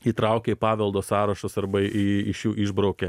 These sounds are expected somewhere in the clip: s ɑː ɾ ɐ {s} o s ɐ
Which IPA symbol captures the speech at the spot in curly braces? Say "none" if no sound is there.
ʃ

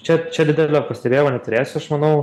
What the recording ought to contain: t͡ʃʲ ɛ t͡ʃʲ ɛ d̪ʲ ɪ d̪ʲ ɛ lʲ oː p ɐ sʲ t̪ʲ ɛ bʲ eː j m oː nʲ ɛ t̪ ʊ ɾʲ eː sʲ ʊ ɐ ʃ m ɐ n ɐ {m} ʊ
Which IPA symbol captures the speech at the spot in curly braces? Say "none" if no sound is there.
none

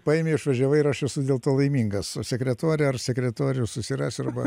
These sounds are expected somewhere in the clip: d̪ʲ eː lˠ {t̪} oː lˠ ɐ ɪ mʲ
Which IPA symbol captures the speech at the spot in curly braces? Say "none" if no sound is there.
t̪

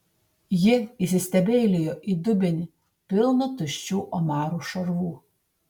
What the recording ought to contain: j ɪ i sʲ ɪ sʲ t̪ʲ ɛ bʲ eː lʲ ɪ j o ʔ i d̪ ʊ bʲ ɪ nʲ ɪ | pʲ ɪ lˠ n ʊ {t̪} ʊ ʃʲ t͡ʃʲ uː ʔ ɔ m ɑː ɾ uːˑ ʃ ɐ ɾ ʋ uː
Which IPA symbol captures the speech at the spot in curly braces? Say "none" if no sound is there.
t̪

